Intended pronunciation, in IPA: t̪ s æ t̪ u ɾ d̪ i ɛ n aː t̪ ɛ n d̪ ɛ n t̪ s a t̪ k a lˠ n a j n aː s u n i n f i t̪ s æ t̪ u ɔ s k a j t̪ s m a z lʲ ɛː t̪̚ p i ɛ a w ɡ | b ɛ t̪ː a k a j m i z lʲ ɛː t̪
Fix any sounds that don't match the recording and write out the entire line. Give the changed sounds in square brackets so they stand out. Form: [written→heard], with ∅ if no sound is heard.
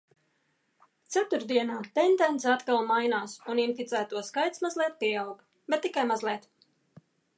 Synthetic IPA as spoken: t̪ s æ t̪ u ɾ d̪ i ɛ n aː t̪ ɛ n d̪ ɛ n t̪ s a t̪ k a lˠ [n→m] a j n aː s u n i n f i t̪ s [æ→æː] t̪ u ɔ s k a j t̪ s m a z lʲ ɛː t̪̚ p i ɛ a w ɡ | b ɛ t̪ː [a→i] k a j m [i→a] z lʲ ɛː t̪